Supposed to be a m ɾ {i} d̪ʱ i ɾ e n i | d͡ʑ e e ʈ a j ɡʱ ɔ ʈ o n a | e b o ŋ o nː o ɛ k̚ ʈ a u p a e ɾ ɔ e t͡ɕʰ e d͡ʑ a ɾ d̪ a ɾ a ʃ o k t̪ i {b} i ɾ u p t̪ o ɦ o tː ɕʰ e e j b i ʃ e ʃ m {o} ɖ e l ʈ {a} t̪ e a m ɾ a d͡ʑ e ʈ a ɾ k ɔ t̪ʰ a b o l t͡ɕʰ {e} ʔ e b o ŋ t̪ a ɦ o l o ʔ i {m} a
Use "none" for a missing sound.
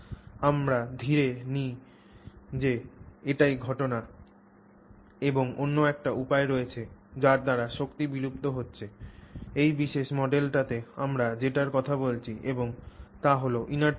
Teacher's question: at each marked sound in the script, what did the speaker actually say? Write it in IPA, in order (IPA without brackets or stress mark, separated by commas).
a, b, ɔ, a, i, n